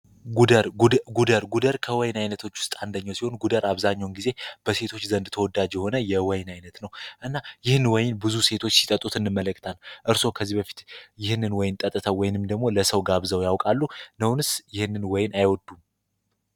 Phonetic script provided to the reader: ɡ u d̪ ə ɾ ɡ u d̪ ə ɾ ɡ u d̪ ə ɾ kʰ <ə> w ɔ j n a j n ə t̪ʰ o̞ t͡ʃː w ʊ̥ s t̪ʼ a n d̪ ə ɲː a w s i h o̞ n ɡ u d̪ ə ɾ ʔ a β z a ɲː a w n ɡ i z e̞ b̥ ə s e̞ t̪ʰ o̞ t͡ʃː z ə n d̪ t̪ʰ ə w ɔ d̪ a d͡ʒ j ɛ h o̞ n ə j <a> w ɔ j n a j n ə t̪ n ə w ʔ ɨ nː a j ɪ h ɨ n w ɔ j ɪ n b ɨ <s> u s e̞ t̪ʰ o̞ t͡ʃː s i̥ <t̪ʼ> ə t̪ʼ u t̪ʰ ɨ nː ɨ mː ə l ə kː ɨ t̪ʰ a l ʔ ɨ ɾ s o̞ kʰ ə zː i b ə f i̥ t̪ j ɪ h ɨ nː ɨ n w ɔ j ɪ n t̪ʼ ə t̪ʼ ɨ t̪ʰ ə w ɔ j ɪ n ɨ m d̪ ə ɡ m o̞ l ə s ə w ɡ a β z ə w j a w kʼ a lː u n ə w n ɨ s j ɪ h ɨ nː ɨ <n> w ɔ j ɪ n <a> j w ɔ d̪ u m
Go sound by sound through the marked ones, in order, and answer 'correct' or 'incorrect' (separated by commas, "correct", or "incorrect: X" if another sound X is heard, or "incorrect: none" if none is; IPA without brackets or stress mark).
correct, incorrect: ɛ, incorrect: z, correct, correct, correct